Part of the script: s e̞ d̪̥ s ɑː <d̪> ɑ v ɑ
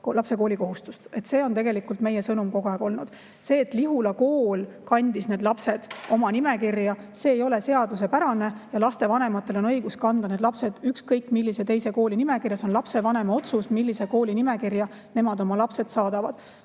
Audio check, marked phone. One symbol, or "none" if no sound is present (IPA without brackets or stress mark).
d̪